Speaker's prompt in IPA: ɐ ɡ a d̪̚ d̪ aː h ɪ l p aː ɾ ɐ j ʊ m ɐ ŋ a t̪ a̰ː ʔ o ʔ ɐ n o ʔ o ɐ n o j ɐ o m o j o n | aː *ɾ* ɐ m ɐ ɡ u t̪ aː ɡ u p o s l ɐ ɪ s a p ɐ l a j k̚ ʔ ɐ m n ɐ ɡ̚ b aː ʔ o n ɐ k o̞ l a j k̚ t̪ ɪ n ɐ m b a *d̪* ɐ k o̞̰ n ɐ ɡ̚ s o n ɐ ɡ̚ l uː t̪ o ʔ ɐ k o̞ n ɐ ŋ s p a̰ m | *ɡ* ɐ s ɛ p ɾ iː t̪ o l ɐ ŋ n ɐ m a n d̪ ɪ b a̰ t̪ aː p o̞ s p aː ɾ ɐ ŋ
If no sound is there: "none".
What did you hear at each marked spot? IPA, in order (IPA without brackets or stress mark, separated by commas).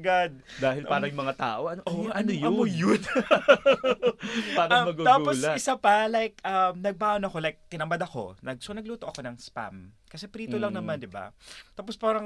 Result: ɾ, d̪, k